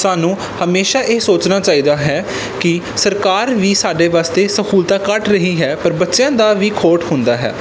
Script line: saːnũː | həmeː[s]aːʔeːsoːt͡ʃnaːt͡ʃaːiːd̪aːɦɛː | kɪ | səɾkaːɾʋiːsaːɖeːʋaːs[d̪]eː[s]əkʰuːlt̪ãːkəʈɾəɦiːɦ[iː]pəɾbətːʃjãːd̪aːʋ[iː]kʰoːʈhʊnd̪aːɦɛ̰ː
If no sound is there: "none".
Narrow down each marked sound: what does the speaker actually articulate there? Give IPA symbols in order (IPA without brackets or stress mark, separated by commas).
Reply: ʃ, t̪, s, ɛː, iː